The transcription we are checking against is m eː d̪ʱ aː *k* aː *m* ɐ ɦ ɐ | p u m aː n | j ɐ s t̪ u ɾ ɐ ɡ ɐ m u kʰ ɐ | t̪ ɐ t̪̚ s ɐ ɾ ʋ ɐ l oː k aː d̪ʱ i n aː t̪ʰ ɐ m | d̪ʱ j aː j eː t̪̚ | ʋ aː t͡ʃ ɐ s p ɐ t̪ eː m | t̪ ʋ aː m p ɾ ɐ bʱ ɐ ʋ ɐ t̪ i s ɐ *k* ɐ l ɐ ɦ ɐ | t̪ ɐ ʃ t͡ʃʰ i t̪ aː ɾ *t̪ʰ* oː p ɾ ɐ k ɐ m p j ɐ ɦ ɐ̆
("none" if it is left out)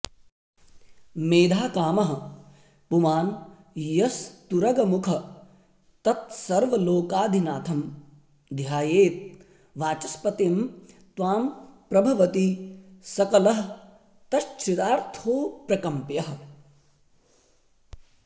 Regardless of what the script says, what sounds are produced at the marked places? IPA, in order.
k, m, k, t̪ʰ

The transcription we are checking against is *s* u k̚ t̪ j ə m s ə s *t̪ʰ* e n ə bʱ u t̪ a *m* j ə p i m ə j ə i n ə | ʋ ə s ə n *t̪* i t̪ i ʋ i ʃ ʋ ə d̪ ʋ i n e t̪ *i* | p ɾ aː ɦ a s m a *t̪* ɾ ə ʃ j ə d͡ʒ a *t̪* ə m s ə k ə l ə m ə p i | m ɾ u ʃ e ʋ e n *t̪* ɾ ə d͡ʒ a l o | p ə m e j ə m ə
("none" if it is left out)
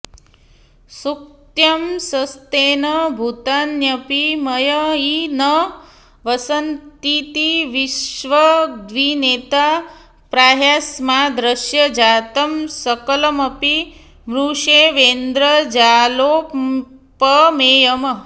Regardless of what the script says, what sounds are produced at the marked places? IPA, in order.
s, t̪, n, t̪, a, d̪, t̪, d̪

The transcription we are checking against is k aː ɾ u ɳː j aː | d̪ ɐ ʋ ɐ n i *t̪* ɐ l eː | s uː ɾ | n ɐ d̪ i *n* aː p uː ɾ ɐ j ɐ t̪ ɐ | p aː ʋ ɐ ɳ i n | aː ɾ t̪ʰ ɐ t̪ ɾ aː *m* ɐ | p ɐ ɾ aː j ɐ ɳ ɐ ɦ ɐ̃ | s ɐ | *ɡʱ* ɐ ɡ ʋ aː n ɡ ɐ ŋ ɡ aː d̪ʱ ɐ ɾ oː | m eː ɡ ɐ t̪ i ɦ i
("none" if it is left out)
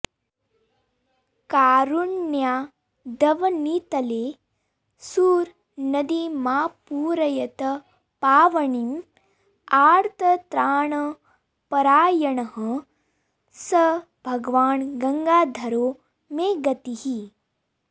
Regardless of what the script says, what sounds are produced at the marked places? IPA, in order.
t̪, m, ɳ, bʱ

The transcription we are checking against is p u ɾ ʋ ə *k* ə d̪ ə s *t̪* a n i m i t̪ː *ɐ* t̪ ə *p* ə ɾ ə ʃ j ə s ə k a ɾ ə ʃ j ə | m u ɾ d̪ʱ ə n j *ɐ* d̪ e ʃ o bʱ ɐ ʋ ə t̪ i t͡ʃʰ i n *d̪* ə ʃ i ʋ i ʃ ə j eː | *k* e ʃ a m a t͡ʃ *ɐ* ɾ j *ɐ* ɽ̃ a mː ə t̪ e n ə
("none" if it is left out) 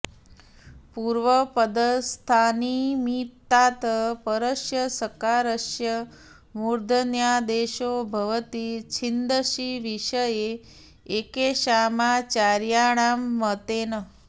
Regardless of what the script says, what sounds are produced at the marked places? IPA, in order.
p, t̪ʰ, a, p, a, d̪, k, a, a

